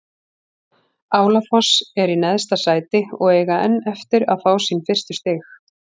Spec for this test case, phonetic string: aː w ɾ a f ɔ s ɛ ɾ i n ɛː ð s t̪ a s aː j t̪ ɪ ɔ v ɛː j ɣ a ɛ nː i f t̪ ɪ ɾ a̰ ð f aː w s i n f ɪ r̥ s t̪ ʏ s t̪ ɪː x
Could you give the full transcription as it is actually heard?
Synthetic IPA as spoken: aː w l a f ɔ s ɛ ɾ i n ɛ ð s t̪ a s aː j t̪ ɪ ɔ ɣ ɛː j ɣ a ɛ nː ɛ f t̪ ɪ ɾ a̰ ð f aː w s i n f ɪ r̥ s t̪ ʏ s t̪ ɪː x